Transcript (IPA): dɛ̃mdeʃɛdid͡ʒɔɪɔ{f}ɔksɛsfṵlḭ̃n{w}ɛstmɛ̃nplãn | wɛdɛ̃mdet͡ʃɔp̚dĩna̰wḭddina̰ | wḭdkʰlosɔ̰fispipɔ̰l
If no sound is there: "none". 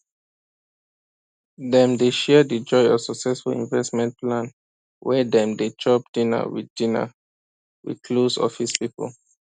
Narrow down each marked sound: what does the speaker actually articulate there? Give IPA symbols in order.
s, v

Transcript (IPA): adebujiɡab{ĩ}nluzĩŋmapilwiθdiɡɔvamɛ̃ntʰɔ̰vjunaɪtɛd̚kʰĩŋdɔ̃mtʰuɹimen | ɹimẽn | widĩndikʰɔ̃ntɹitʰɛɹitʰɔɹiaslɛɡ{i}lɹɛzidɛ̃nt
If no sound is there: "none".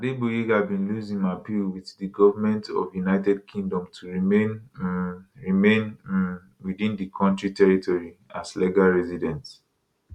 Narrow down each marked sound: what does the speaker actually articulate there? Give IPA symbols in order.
ĩ, a

